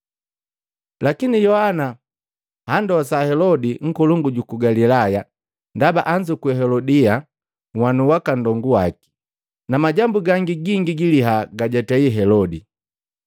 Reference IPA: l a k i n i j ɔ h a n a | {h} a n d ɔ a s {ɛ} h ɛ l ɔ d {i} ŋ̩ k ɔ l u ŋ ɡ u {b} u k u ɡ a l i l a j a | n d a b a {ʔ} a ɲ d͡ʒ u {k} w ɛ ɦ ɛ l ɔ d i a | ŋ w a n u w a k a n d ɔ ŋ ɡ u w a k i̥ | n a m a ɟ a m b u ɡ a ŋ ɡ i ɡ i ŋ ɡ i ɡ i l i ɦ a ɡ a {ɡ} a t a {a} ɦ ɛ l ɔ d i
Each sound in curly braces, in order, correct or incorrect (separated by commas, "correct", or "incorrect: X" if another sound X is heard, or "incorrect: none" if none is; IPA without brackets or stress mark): correct, incorrect: a, correct, incorrect: ɟ, correct, correct, incorrect: ɟ, incorrect: i